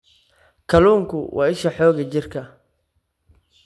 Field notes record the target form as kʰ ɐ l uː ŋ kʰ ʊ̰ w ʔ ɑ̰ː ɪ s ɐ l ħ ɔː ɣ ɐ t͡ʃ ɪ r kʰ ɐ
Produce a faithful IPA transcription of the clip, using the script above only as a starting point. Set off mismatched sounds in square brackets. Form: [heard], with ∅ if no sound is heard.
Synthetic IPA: kʰ ɐ l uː ŋ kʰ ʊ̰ w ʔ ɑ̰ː ɪ [ʃ] ɐ [∅] ħ ɔː ɣ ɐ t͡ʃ ɪ r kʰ ɐ